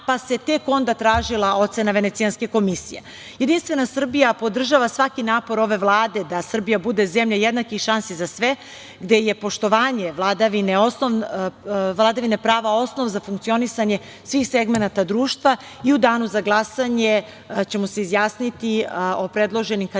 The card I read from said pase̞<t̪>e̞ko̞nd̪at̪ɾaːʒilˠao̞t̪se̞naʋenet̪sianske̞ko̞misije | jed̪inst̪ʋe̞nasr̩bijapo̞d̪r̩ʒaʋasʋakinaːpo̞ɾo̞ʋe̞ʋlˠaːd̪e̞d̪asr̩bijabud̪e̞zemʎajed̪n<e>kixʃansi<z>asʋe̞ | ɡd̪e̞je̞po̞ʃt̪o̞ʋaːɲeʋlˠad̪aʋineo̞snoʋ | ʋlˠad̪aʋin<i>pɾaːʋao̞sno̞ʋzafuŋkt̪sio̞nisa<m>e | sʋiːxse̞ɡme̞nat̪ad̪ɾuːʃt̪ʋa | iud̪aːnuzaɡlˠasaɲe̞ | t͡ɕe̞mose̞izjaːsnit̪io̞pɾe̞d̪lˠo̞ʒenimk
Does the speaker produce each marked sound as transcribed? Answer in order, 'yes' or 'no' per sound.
yes, no, yes, no, no

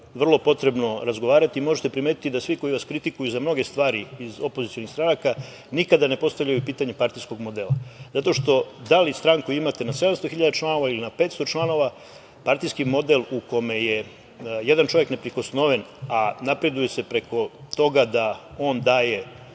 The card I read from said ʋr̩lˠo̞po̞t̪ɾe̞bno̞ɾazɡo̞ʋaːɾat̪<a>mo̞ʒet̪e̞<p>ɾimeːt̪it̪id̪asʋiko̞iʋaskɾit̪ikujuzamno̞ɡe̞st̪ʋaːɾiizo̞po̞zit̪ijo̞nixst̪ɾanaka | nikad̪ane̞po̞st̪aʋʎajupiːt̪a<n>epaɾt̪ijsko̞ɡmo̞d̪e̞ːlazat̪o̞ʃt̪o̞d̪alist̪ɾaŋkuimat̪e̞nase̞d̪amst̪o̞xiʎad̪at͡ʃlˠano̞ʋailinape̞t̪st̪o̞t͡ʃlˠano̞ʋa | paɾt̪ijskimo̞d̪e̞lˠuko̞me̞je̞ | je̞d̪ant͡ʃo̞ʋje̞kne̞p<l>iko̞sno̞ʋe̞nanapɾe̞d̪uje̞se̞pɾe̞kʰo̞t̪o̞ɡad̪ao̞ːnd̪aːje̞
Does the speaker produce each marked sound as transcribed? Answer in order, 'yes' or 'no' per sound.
no, yes, no, no

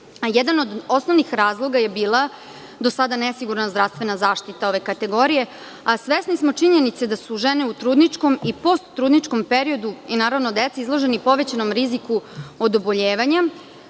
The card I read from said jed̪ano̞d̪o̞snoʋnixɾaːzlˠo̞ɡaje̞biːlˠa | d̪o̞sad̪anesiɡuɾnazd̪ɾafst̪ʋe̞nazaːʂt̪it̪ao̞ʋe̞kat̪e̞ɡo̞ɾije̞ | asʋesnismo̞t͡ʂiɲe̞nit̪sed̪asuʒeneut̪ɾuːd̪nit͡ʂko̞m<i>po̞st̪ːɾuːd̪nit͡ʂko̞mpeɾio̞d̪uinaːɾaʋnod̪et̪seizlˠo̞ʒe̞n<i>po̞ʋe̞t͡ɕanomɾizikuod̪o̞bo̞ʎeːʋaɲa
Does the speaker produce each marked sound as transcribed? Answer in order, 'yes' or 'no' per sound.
yes, yes

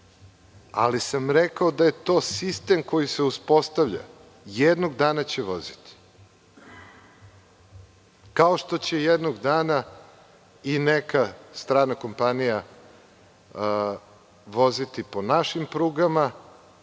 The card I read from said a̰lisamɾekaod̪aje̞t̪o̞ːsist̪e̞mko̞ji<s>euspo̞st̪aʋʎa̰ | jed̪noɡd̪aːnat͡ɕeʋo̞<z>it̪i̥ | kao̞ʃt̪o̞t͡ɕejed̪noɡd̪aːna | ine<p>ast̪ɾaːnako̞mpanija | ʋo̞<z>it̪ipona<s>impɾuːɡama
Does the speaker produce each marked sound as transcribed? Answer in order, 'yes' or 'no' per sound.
yes, yes, no, yes, no

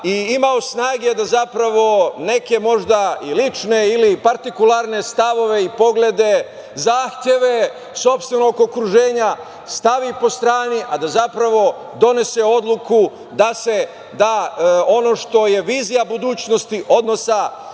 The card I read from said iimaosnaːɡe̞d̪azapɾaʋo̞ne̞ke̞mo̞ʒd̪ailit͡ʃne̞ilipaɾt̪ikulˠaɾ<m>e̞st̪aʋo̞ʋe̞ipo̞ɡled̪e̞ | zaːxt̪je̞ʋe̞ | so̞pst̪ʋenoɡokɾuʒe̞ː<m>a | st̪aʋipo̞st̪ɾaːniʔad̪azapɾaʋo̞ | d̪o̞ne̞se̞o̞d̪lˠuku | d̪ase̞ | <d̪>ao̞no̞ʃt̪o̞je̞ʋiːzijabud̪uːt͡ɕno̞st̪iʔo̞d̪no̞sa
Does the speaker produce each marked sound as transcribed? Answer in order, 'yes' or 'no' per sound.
no, no, yes

